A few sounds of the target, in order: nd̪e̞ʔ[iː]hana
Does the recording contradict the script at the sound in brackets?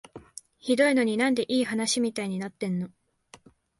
no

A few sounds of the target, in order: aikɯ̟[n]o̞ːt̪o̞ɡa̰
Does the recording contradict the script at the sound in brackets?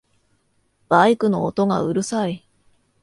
no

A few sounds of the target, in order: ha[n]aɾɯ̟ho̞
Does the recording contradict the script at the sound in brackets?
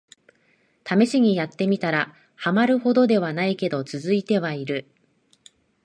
yes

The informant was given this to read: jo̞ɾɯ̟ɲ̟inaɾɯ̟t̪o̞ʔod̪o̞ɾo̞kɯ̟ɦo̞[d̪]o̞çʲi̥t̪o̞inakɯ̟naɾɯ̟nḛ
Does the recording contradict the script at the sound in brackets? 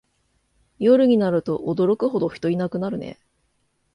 no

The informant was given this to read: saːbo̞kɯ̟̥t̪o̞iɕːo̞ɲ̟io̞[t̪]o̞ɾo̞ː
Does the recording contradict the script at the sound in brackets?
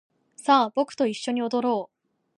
yes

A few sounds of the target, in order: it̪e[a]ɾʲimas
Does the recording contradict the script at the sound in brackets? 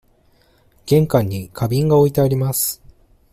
no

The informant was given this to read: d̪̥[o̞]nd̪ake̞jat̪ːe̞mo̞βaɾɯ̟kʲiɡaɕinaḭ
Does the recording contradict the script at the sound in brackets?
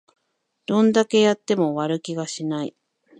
yes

